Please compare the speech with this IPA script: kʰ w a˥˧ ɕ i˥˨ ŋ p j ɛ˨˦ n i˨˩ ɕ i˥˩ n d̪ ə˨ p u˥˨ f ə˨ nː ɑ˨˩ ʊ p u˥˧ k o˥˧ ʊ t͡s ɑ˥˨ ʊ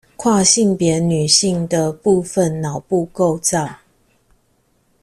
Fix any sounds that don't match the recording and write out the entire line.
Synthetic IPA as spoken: kʰ w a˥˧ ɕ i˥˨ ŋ p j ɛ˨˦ n y˨˩ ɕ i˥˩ ŋ d̪ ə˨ p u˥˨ f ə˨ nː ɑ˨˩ ʊ p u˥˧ k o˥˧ ʊ t͡s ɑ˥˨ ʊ